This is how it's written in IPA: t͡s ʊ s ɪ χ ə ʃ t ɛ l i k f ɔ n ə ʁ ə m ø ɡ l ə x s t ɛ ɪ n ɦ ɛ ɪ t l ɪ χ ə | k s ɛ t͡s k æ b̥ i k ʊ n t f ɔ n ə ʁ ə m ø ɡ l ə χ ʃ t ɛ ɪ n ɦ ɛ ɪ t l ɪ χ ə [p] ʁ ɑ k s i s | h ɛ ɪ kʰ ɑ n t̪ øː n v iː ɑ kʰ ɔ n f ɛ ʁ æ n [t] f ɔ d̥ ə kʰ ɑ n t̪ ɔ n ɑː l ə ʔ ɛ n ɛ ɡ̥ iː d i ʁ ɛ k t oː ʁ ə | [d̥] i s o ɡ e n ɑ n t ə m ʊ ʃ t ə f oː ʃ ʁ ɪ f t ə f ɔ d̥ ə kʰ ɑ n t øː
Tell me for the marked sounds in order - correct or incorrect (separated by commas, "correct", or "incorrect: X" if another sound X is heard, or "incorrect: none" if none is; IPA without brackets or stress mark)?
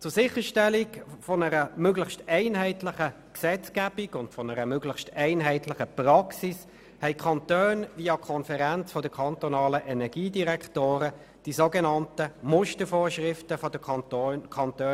correct, incorrect: t͡s, correct